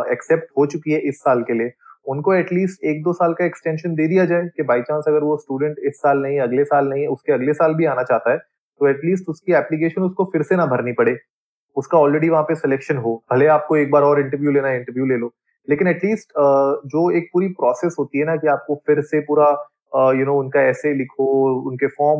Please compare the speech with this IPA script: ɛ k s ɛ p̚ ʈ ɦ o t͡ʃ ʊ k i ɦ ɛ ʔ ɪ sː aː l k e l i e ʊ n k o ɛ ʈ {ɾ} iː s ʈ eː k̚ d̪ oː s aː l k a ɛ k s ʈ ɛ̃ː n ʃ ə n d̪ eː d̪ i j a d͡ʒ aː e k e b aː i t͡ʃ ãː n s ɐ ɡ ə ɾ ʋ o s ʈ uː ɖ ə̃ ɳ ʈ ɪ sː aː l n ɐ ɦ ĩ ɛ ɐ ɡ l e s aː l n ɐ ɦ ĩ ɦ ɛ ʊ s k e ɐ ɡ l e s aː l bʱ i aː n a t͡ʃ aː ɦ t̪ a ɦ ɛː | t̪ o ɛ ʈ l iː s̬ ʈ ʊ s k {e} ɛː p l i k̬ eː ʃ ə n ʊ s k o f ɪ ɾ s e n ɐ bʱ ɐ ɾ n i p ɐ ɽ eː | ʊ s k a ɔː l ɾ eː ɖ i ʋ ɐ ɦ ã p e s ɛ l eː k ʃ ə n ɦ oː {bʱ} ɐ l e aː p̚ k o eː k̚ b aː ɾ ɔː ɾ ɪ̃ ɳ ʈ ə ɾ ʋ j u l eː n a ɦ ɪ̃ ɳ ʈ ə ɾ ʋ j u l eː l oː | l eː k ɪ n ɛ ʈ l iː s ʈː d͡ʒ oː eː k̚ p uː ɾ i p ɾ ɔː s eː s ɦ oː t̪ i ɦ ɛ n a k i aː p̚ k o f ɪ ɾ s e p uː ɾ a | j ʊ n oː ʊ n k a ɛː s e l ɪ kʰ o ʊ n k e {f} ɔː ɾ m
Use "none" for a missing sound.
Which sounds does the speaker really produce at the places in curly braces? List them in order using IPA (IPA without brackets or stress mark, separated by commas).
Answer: l, i, bʱ, f